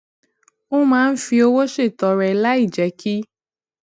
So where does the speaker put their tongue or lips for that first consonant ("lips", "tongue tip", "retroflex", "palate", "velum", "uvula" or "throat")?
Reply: lips